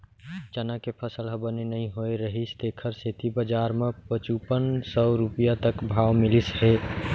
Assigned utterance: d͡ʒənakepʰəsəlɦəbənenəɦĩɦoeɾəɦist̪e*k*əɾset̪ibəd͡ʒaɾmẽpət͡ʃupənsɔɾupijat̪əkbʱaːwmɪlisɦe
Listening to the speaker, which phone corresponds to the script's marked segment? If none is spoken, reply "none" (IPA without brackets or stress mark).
kʰ